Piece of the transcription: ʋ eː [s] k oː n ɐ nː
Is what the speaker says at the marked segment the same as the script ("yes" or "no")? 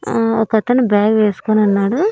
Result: yes